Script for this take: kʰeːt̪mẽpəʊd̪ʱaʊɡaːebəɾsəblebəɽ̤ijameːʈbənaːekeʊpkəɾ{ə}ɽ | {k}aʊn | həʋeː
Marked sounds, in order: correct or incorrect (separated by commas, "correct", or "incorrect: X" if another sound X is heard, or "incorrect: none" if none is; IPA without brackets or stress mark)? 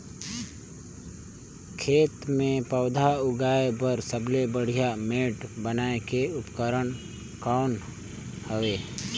correct, correct